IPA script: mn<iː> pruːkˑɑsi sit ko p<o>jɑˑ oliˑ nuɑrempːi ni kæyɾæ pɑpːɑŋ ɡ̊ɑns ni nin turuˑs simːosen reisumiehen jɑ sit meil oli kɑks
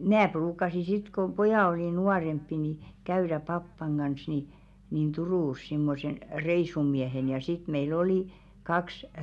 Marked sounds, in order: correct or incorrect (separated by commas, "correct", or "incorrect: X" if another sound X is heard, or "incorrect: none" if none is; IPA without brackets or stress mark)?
incorrect: æː, correct